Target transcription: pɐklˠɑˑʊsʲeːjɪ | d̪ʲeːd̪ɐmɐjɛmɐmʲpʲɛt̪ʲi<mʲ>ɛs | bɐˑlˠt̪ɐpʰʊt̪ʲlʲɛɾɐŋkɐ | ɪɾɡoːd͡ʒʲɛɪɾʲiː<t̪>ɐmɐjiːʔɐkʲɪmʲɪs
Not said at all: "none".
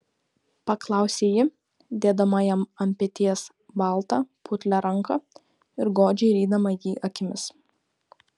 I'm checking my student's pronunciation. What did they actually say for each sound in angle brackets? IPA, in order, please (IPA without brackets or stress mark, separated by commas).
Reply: none, d̪